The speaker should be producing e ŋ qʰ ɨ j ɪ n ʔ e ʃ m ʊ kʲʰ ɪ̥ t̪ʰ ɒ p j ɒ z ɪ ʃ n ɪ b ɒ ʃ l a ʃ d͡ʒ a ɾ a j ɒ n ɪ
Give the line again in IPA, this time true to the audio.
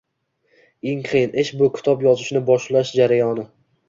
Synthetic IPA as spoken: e ŋ qʰ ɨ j ɪ n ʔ e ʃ b ʊ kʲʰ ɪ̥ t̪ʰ ɒ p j ɒ z ɪ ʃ n ɪ b ɒ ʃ l a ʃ d͡ʒ a ɾ a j ɒ n ɪ